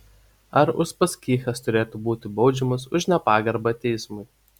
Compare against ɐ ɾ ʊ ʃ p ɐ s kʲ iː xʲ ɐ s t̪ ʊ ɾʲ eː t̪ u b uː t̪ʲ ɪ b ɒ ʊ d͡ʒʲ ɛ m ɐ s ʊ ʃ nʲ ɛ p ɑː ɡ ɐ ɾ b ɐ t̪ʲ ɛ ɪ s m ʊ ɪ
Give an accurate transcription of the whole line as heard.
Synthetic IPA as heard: ɐ ɾ ʊ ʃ p ɐ s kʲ iː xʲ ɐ s t̪ ʊ ɾʲ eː t̪ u b uː t̪ʲ ɪ b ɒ ʊ d͡ʒʲ ɛ m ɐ s ʊ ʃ nʲ ɛ p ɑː ɡ ɐ ɾ b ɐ t̪ʲ ɛ ɪ s m ʊ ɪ